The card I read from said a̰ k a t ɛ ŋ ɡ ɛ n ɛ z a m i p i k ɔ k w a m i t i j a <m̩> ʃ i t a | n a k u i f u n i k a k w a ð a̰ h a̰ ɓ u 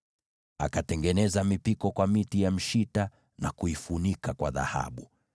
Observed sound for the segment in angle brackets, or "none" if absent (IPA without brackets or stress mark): m̩